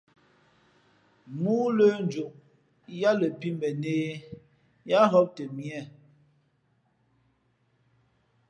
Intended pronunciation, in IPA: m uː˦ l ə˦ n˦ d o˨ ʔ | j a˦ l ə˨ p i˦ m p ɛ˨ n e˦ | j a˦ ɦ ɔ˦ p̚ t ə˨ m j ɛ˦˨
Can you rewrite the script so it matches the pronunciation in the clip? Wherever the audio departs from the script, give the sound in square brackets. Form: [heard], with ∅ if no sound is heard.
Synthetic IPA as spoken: m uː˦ l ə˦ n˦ [d͡ʒ] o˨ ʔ | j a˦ l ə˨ p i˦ m [b] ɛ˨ n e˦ | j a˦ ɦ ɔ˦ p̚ t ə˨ m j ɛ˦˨